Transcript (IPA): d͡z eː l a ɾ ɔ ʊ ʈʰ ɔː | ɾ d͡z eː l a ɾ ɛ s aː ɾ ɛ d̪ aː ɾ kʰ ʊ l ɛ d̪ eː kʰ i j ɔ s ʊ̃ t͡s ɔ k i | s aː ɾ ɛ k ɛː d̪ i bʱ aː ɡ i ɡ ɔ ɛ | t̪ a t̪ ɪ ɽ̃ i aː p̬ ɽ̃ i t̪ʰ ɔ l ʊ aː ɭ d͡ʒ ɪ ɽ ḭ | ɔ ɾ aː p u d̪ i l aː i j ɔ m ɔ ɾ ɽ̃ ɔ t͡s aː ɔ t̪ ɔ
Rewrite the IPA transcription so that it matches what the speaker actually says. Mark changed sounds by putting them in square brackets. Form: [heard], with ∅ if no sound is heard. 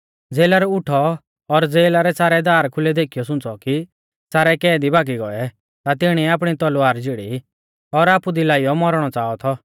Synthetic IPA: d͡z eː l a ɾ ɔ ʊ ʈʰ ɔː | ɾ d͡z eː l a ɾ ɛ s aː ɾ ɛ d̪ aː ɾ kʰ ʊ l ɛ d̪ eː kʰ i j ɔ s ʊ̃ t͡s ɔ k i | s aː ɾ ɛ k ɛː d̪ i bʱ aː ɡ i ɡ ɔ ɛ | t̪ a t̪ ɪ ɽ̃ i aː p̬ ɽ̃ i [t̪] ɔ l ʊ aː [ɾ] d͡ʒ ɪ ɽ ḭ | ɔ ɾ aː p u d̪ i l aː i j ɔ m ɔ ɾ ɽ̃ ɔ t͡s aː ɔ [t̪ʰ] ɔ